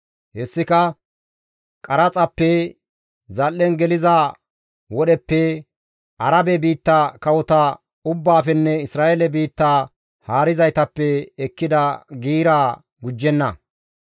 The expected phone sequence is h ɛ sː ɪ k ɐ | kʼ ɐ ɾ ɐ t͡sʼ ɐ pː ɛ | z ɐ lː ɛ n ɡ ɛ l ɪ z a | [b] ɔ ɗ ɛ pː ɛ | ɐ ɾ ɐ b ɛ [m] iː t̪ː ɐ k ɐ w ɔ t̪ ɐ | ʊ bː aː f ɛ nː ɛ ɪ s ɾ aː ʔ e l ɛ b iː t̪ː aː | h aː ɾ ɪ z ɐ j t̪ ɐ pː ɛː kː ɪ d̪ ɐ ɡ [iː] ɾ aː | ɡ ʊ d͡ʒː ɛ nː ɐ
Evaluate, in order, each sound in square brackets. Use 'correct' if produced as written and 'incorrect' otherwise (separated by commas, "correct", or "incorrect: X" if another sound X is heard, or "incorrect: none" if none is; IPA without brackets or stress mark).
incorrect: w, incorrect: b, correct